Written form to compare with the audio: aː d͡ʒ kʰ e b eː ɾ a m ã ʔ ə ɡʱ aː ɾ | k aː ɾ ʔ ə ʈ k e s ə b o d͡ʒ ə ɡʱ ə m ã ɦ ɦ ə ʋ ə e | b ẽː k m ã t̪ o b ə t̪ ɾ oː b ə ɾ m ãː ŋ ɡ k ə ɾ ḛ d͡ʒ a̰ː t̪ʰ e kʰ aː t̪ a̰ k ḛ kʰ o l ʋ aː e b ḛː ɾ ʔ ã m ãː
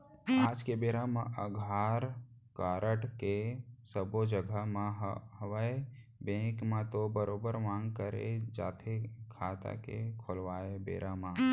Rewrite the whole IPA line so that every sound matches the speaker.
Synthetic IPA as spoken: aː d͡ʒ k e b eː ɾ a m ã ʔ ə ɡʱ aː ɾ | k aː ɾ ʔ ə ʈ k e s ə b o d͡ʒ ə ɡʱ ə m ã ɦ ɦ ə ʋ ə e | b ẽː k m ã t̪ o b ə ɾ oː b ə ɾ m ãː ŋ ɡ k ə ɾ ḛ d͡ʒ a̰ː t̪ʰ e kʰ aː t̪ a̰ k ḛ kʰ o l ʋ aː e b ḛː ɾ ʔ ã m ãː